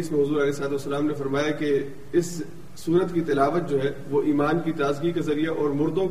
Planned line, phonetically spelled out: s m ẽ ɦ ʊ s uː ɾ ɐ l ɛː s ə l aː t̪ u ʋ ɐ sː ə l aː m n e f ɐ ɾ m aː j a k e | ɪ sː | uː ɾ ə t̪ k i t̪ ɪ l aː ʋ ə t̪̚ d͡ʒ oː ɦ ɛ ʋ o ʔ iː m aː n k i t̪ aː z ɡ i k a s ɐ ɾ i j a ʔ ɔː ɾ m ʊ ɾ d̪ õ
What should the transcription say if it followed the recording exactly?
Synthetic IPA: s m ẽ ɦ ʊ z uː ɾ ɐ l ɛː s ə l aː t̪ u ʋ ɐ sː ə l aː m n e f ɐ ɾ m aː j a k e | ɪ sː | uː ɾ ə t̪ k i t̪ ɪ l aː ʋ ə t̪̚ d͡ʒ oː ɦ ɛ ʋ o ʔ iː m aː n k i t̪ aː z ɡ i k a z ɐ ɾ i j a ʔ ɔː ɾ m ʊ ɾ d̪ õ